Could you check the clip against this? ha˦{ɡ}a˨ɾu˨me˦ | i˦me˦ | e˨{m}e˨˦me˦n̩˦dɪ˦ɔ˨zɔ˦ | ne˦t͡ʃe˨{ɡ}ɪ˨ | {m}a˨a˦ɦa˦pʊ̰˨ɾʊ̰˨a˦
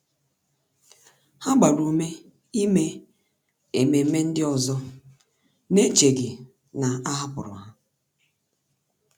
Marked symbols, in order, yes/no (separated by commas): no, yes, yes, no